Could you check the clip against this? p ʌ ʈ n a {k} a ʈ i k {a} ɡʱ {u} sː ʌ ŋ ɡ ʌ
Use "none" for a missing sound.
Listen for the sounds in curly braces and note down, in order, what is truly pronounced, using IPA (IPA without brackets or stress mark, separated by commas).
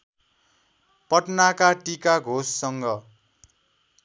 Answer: k, a, o